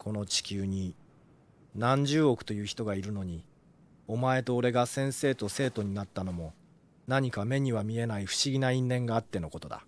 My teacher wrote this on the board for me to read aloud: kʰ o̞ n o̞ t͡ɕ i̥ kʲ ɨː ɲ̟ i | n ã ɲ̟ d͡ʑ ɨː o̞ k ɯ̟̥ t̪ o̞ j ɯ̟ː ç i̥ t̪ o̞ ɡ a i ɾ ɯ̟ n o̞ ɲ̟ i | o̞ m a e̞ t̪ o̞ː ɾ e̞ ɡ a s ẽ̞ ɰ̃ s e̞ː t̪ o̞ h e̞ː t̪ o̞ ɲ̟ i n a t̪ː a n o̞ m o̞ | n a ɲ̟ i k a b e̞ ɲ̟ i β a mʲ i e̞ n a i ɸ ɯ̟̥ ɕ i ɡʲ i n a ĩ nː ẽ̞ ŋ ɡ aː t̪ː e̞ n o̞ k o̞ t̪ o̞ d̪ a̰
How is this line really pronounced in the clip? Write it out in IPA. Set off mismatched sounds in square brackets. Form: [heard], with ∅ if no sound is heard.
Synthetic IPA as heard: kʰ o̞ n o̞ t͡ɕ i̥ kʲ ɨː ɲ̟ i | n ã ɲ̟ d͡ʑ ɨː o̞ k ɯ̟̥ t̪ o̞ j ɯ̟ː ç i̥ t̪ o̞ ɡ a i ɾ ɯ̟ n o̞ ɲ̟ i | o̞ m a e̞ t̪ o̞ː ɾ e̞ ɡ a s ẽ̞ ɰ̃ s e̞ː t̪ o̞ [s] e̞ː t̪ o̞ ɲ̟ i n a t̪ː a n o̞ m o̞ | n a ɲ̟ i k a [m] e̞ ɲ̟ i β a mʲ i e̞ n a i ɸ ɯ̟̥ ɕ i ɡʲ i n a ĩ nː ẽ̞ ŋ ɡ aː t̪ː e̞ n o̞ k o̞ t̪ o̞ d̪ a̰

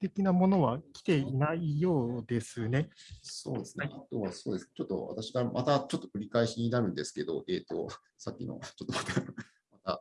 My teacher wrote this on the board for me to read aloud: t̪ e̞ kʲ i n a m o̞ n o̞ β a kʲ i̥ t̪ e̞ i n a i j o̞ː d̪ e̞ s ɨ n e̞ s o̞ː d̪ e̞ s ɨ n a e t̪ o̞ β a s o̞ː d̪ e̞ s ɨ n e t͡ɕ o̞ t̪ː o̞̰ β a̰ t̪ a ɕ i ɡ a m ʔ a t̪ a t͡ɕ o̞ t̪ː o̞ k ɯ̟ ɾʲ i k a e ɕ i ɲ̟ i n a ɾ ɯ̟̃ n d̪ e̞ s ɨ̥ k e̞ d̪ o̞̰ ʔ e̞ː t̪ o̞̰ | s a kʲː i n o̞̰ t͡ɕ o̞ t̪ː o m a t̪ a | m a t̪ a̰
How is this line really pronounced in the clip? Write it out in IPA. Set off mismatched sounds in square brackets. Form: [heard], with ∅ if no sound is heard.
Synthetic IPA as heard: t̪ e̞ kʲ i n a m o̞ n o̞ β a kʲ i̥ t̪ e̞ i n a i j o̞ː d̪ e̞ s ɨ n e̞ s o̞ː d̪ e̞ s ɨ n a [a] t̪ o̞ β a s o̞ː d̪ e̞ s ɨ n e t͡ɕ o̞ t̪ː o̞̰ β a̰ t̪ a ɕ i ɡ a m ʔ a t̪ a t͡ɕ o̞ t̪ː o̞ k ɯ̟ ɾʲ i k a e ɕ i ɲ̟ i n a ɾ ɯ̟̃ n d̪ e̞ s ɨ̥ k e̞ d̪ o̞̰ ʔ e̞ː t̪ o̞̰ | s a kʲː i n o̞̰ t͡ɕ o̞ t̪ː o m a t̪ a | m a t̪ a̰

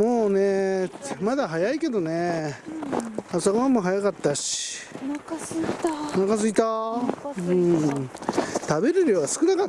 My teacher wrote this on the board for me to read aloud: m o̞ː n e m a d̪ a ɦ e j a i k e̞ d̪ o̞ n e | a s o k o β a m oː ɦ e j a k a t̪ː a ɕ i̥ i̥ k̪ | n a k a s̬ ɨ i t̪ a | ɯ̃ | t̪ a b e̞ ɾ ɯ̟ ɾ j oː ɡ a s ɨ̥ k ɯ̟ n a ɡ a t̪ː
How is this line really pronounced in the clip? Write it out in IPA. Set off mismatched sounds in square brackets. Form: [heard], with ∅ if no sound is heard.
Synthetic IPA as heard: m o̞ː n e m a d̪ a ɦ [a] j a i k e̞ d̪ o̞ n e | a s o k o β a m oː ɦ [a] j a k a t̪ː a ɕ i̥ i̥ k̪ | n a k a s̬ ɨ i t̪ a | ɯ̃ | t̪ a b e̞ ɾ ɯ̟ ɾ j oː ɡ a s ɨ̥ k ɯ̟ n a [k] a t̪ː

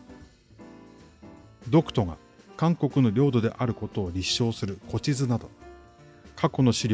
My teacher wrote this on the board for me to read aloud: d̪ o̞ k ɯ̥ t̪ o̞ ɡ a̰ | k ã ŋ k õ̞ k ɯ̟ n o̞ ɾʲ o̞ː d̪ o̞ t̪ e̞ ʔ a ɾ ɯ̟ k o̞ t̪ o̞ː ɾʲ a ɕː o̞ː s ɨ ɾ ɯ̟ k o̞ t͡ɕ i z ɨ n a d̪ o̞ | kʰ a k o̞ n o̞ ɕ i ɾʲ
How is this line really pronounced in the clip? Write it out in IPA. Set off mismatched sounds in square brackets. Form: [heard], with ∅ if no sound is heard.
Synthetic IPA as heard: d̪ o̞ k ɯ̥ t̪ o̞ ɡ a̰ | k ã ŋ k [o̞] k ɯ̟ n o̞ ɾʲ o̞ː d̪ o̞ [d̪] e̞ ʔ a ɾ ɯ̟ k o̞ t̪ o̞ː ɾʲ [i] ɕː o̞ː s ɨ ɾ ɯ̟ k o̞ t͡ɕ i z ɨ n a d̪ o̞ | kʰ a k o̞ n o̞ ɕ i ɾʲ

